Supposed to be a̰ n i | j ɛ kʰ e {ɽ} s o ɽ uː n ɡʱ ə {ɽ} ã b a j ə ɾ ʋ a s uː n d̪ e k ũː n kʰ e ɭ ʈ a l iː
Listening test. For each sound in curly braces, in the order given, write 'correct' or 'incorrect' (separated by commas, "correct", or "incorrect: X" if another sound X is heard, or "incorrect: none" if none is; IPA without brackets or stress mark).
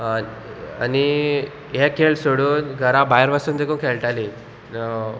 incorrect: ɭ, incorrect: ɾ